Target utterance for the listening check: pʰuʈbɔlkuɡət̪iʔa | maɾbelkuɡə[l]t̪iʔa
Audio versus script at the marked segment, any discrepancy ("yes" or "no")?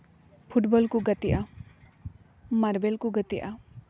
yes